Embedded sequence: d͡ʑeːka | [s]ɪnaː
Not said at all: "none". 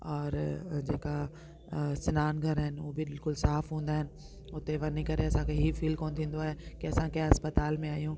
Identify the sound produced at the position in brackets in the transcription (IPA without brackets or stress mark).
s